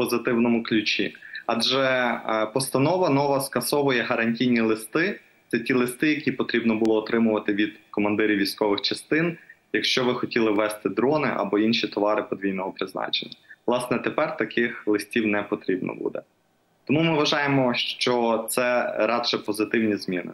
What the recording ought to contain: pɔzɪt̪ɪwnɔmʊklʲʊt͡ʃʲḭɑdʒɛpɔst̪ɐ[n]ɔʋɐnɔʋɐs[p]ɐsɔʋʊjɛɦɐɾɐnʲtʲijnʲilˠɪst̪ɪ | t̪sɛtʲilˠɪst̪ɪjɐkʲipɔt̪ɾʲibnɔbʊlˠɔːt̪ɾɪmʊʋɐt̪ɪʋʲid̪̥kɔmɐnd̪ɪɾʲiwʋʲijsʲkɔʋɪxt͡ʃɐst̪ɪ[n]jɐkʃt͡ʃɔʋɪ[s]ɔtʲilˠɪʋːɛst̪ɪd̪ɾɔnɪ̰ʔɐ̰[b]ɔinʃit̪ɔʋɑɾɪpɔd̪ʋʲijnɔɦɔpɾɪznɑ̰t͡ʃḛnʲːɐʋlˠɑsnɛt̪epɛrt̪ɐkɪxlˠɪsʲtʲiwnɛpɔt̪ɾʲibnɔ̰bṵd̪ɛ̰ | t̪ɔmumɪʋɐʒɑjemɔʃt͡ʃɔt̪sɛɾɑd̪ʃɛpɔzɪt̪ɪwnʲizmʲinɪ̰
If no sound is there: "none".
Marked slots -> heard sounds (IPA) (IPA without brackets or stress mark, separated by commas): n, k, n, x, b